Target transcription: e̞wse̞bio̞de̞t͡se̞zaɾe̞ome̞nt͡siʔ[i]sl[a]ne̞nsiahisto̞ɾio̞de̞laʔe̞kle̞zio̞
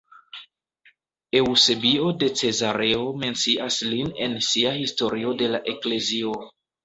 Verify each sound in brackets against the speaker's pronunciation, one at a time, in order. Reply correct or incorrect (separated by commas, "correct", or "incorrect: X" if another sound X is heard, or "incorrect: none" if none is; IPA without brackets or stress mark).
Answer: incorrect: a, incorrect: i